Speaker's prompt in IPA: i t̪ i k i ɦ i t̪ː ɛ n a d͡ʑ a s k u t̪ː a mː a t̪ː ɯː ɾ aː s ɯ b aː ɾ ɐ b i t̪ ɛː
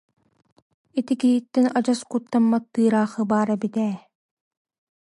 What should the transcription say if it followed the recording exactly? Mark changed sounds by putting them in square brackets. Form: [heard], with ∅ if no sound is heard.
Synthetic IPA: i t̪ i k i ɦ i t̪ː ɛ n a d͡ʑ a s k u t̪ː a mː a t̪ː ɯː ɾ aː [χ] ɯ b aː ɾ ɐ b i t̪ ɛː